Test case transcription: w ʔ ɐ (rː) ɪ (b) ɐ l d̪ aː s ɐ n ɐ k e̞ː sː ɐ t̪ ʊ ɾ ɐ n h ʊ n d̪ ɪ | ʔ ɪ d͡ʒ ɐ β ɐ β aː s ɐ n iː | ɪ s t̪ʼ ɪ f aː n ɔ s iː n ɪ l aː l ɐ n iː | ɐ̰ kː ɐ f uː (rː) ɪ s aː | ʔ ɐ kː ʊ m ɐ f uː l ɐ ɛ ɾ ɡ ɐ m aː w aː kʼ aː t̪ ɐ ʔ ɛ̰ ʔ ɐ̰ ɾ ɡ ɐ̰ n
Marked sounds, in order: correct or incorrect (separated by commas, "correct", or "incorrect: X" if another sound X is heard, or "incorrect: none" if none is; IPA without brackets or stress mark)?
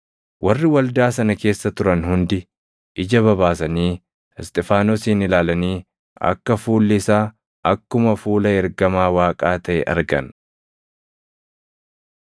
correct, incorrect: w, incorrect: lː